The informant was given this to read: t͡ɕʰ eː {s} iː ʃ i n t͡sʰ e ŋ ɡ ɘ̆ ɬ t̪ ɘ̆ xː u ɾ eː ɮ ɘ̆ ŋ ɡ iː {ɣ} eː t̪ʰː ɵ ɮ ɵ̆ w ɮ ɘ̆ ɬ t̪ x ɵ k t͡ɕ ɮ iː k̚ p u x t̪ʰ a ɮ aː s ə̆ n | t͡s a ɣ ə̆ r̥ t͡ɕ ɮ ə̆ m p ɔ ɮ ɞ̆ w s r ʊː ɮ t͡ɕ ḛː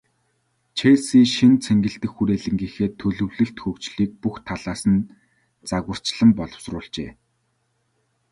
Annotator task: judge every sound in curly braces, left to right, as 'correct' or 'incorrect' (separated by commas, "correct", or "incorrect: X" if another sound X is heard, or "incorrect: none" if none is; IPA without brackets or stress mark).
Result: correct, incorrect: x